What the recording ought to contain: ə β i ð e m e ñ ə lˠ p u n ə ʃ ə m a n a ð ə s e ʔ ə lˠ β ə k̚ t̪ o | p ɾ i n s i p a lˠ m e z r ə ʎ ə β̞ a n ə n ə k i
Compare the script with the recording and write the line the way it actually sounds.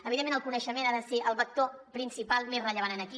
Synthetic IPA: ə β i ð e m e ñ ə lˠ k u n ə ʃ ə m e n a ð ə s e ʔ ə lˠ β ə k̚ t̪ o | p ɾ i n s i p a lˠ m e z r ə ʎ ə β̞ a n ə n ə k i